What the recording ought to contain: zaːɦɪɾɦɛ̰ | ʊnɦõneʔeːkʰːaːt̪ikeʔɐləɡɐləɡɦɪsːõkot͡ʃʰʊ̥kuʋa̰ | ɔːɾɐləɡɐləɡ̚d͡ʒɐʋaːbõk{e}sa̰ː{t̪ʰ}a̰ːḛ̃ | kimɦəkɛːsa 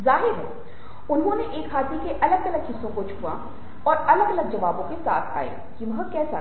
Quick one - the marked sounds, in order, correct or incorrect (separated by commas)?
correct, correct